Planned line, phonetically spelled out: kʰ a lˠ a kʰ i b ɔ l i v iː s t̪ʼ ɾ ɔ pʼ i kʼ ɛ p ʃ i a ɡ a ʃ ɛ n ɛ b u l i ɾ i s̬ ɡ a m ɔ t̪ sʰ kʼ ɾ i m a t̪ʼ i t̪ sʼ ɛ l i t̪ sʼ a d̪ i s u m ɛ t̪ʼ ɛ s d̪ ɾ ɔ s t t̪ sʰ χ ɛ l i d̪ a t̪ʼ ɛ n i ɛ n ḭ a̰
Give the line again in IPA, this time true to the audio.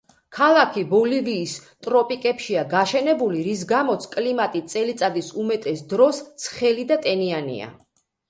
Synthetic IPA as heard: kʰ a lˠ a kʰ i b ɔ l i v iː s t̪ʼ ɾ ɔ pʼ i kʼ ɛ p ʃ i a ɡ a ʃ ɛ n ɛ b u l i ɾ i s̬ ɡ a m ɔ t̪ sʰ kʼ l i m a t̪ʼ i t̪ sʼ ɛ l i t̪ sʼ a d̪ i s u m ɛ t̪ʼ ɛ s d̪ ɾ ɔ s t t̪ sʰ χ ɛ l i d̪ a t̪ʼ ɛ n i a n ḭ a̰